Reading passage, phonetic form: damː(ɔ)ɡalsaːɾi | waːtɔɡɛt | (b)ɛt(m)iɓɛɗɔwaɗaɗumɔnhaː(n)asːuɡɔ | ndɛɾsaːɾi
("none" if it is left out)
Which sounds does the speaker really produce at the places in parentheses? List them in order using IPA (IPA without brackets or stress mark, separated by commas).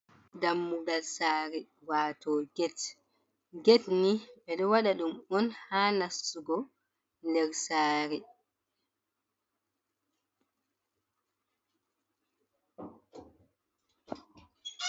u, ɡ, n, n